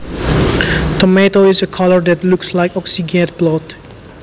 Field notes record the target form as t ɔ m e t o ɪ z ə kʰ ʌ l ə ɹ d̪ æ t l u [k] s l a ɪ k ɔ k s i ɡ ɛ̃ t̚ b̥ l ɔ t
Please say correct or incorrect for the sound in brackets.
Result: correct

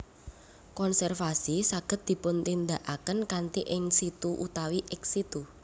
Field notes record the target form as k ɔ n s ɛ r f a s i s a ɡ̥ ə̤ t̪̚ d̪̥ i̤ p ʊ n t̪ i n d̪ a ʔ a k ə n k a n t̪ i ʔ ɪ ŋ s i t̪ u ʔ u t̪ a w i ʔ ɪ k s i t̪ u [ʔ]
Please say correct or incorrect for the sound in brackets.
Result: incorrect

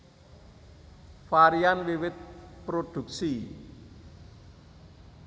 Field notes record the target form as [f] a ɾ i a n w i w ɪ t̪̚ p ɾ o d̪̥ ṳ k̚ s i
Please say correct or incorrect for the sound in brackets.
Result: correct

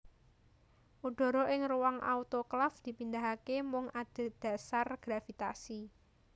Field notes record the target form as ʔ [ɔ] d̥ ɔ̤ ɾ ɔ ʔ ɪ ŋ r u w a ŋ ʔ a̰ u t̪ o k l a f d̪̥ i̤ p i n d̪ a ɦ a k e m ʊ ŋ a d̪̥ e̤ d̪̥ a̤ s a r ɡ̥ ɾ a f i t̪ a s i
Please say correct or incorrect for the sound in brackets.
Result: incorrect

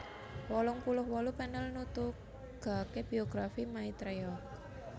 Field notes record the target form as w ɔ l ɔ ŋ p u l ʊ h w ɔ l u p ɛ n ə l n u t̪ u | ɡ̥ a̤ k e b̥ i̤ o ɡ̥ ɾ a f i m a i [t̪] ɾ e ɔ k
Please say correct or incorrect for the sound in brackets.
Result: correct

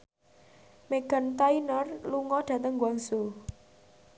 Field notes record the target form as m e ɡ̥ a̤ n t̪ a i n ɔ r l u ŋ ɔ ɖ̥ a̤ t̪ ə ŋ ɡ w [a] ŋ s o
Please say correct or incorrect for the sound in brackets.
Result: correct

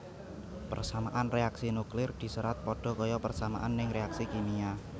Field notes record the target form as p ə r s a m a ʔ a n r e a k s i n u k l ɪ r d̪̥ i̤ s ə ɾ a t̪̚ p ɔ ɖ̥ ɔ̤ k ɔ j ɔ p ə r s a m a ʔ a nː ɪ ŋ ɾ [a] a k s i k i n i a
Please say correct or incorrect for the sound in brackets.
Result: incorrect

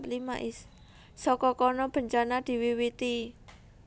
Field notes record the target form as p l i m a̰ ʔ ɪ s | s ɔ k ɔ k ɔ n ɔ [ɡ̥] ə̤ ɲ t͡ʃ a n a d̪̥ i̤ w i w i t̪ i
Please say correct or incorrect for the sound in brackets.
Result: incorrect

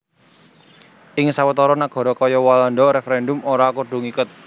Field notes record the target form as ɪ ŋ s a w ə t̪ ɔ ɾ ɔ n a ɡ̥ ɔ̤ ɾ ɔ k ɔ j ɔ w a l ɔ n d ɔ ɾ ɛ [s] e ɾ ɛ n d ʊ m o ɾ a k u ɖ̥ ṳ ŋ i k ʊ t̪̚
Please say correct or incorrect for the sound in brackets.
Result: incorrect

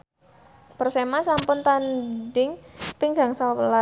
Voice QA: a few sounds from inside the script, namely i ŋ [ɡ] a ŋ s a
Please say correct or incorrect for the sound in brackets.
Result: correct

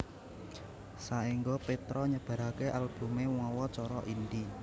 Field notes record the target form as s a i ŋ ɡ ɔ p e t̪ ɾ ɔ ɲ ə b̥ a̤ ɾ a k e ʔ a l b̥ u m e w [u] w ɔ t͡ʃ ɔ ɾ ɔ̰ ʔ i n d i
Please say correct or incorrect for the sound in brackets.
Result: incorrect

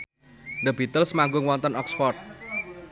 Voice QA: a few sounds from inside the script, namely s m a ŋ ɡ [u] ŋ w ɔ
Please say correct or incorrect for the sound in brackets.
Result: incorrect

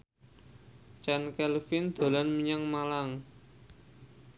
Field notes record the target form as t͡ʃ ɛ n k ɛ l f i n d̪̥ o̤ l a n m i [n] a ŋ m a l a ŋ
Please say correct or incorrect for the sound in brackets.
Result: incorrect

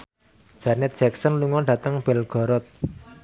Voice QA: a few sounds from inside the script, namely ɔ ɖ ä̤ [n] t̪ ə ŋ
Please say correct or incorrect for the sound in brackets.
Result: incorrect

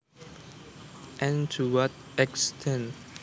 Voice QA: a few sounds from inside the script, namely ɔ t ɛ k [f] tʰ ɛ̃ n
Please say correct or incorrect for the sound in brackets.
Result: incorrect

